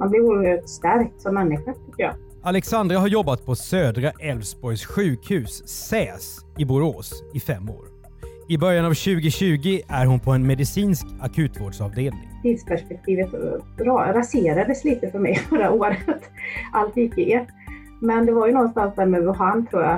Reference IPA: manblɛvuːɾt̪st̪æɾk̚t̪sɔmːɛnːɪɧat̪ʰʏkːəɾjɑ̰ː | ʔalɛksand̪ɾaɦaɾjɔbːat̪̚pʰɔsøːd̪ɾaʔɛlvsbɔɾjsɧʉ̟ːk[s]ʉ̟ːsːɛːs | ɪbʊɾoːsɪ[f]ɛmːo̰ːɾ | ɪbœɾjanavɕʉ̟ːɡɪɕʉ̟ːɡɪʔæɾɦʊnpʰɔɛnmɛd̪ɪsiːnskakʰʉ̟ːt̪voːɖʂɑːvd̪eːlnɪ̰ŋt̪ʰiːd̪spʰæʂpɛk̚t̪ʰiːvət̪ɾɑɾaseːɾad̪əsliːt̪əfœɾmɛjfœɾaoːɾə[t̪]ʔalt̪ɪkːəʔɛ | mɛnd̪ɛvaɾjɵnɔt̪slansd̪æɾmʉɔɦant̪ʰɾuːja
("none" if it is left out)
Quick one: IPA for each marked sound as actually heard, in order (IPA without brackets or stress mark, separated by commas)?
h, f, t̪